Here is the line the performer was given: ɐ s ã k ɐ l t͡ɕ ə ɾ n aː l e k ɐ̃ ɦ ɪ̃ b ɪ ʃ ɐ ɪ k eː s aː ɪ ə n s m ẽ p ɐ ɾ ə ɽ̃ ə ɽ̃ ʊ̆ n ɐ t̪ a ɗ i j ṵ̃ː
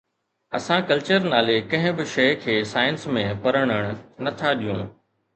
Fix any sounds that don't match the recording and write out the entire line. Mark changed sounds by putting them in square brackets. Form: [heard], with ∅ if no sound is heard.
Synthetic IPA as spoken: ɐ s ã k ɐ l t͡ɕ ə ɾ n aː l e k ɐ̃ ɦ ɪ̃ b ɪ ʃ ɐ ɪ [kʰ] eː s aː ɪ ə n s m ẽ p ɐ ɾ ə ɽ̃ ə ɽ̃ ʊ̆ n ɐ [t̪ʰ] a ɗ i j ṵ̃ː